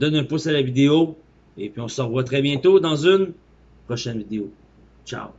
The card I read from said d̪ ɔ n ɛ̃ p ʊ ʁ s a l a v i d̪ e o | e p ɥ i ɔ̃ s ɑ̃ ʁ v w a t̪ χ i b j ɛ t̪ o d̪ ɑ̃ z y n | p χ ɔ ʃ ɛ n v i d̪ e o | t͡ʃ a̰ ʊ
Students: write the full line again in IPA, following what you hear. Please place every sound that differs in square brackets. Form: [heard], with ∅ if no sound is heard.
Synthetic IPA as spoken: d̪ ɔ n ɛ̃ p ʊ [∅] s a l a v i d̪ e o | e p ɥ i ɔ̃ s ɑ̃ ʁ v w a t̪ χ [ɛ] b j [ɛ̃] t̪ o d̪ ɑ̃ z y n | p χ ɔ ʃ ɛ n v i d̪ e o | t͡ʃ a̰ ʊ